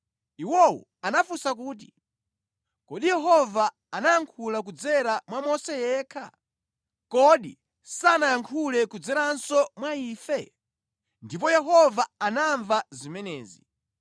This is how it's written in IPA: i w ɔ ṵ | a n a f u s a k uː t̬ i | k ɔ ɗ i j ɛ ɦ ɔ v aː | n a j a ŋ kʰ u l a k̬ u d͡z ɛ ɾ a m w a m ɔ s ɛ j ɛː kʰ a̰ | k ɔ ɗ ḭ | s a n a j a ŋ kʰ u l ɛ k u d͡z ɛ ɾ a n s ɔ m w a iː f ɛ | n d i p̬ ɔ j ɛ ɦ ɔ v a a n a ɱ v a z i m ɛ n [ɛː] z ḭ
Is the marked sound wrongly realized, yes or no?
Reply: no